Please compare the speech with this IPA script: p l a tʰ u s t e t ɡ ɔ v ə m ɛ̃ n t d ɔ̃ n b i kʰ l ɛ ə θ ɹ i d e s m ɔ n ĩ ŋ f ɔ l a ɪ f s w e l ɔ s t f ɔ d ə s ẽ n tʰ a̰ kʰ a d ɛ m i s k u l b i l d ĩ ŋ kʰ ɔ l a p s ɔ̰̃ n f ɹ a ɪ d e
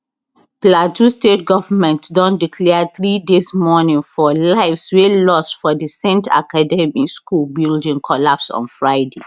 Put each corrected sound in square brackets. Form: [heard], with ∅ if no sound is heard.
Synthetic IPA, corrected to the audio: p l a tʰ u s t e t ɡ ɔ v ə m ɛ̃ n t d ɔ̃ n [d] i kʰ l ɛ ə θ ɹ i d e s m ɔ n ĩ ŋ f ɔ l a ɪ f s w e l ɔ s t f ɔ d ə s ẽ n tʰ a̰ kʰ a d ɛ m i s k u l b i l d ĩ ŋ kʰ ɔ l a p s ɔ̰̃ n f ɹ a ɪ d e